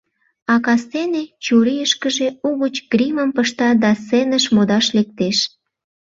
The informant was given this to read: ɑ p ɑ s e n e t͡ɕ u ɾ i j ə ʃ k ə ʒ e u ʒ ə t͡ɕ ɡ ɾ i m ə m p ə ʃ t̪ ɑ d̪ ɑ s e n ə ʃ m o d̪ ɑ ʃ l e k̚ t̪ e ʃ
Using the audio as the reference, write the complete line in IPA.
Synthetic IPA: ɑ k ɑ s e n e t͡ɕ u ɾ i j ə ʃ k ə ʒ e u ɣ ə t͡ɕ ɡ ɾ i m ə m p ə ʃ t̪ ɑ d̪ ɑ s e n ə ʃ m o d̪ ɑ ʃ l e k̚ t̪ e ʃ

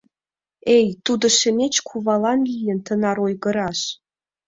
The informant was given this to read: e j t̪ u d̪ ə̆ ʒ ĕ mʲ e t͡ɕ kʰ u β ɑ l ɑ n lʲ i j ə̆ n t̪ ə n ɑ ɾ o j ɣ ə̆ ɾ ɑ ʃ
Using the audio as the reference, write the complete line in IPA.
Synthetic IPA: e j t̪ u d̪ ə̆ ʃ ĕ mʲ e t͡ɕ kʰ u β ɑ l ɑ n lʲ i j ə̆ n t̪ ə n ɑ ɾ o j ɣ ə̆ ɾ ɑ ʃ

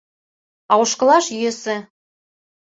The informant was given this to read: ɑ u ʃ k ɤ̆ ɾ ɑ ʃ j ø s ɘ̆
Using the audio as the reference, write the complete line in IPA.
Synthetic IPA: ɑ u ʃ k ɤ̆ l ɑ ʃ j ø s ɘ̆

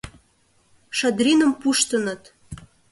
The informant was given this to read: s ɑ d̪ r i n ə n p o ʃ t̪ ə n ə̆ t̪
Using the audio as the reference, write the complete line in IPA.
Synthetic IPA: ʃ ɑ d̪ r i n ə m p u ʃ t̪ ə n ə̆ t̪

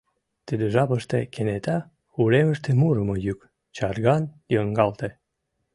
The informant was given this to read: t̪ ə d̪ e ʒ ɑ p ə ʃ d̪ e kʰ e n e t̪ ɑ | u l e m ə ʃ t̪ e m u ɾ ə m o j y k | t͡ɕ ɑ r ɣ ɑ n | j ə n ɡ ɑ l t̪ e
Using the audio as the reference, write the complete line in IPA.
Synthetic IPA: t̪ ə d̪ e ʒ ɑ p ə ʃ t̪ e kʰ e n e t̪ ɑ | u l e m ə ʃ t̪ e m u ɾ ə m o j y k | t͡ɕ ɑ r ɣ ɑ n | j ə ŋ ɡ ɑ l t̪ e

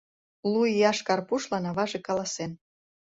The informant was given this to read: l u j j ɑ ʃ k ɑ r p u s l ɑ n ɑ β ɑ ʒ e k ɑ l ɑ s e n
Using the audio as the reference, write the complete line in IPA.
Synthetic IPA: l u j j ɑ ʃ k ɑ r p u ʃ l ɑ n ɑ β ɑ ʒ e k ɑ l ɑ s e n

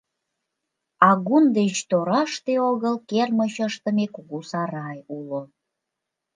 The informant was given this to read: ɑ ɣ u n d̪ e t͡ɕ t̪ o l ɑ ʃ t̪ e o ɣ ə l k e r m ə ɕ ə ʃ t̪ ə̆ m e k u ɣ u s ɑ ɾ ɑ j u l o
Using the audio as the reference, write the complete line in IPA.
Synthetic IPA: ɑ ɣ u n d̪ e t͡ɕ t̪ o ɾ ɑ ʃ t̪ e o ɣ ə l k e r m ə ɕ ə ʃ t̪ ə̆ m e k u ɣ u s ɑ ɾ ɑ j u l o

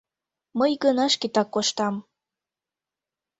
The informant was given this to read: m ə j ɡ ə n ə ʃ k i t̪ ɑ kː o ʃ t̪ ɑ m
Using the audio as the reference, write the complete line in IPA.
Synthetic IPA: m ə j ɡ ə n ɑ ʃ k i t̪ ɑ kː o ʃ t̪ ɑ m

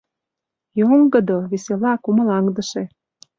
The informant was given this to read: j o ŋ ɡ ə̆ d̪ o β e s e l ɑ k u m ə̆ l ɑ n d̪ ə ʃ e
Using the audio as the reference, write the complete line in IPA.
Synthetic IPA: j o ŋ ɡ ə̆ d̪ o β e s e l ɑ k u m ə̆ l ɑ ŋ d̪ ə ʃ e

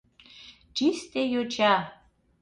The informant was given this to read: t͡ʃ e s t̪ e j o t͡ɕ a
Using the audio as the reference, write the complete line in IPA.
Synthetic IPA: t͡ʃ i s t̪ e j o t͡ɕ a

